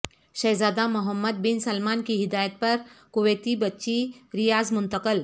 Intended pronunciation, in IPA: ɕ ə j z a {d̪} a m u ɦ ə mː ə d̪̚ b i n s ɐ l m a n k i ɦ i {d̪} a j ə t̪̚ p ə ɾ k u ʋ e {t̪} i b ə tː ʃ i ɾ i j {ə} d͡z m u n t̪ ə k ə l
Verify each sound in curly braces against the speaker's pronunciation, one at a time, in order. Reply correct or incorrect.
correct, correct, correct, incorrect: a

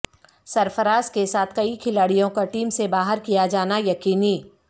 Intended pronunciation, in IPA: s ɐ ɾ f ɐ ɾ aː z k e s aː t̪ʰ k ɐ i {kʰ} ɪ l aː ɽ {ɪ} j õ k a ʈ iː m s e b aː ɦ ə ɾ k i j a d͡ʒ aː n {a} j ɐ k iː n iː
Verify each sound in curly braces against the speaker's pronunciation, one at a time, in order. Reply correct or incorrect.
correct, incorrect: i, correct

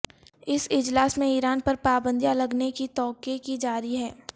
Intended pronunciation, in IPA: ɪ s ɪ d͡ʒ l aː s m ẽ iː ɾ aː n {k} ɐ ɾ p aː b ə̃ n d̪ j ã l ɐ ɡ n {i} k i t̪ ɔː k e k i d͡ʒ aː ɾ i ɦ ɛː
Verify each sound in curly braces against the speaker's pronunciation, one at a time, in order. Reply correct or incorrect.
incorrect: p, incorrect: e

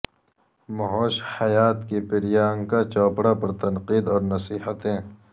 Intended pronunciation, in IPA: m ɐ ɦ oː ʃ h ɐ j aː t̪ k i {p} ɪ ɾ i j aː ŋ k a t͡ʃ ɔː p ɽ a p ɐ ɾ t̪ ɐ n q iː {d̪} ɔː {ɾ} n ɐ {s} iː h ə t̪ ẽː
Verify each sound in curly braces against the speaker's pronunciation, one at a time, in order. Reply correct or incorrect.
correct, correct, correct, correct

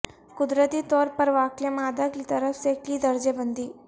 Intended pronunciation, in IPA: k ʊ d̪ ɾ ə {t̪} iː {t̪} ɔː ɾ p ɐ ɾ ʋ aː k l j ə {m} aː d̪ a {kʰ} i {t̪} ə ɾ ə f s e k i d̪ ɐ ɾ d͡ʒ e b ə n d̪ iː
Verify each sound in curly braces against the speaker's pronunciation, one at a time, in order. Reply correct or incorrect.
correct, correct, correct, incorrect: k, correct

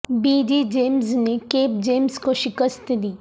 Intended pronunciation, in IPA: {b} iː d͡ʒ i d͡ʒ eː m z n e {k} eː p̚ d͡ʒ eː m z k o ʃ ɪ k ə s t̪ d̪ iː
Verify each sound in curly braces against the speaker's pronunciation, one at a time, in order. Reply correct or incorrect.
correct, correct

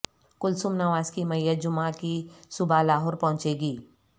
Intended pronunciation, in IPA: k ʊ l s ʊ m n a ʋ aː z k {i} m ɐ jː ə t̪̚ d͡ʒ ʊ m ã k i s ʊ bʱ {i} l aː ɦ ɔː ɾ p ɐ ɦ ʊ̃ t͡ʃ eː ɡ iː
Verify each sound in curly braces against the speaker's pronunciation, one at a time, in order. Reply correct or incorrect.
correct, incorrect: a

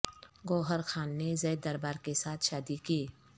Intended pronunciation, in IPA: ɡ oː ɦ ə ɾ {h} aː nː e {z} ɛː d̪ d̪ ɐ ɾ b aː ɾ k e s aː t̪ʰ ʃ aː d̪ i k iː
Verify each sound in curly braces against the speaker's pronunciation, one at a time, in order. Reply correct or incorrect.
incorrect: x, correct

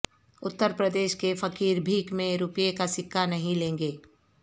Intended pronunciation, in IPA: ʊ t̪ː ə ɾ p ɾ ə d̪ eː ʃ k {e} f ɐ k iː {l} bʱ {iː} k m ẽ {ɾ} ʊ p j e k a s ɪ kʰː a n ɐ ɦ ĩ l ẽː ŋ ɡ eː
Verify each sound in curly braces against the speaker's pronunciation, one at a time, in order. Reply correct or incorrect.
correct, incorrect: ɾ, correct, correct

